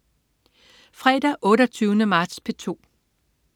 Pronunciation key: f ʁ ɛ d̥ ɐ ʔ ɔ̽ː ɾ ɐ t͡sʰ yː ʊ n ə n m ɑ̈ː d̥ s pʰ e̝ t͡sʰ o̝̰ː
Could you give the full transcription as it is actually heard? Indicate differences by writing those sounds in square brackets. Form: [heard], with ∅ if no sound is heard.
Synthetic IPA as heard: f ʁ ɛ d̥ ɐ ʔ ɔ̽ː ɾ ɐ t͡sʰ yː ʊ n ə [∅] m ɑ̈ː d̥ s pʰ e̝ t͡sʰ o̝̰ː